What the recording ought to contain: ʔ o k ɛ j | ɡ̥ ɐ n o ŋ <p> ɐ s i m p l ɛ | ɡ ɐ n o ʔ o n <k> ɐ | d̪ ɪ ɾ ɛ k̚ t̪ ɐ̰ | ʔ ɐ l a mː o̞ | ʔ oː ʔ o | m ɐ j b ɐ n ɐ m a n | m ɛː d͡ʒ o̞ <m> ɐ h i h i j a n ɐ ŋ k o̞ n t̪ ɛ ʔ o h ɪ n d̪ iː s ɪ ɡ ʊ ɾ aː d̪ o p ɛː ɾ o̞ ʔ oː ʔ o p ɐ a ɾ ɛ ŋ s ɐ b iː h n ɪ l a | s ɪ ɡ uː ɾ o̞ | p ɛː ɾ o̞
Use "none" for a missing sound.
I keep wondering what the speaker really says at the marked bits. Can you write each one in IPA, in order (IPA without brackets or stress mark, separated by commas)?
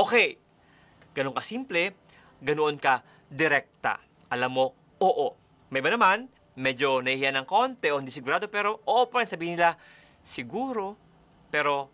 k, k, n